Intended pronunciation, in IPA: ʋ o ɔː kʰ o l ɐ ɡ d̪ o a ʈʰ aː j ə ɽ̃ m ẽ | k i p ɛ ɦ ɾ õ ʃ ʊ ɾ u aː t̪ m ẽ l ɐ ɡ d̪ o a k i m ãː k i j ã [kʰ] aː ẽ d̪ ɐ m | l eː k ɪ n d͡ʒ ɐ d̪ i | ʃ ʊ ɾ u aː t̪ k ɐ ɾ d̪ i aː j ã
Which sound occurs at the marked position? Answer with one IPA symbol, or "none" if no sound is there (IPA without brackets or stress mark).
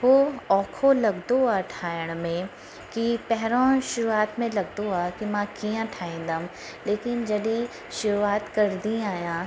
ʈʰ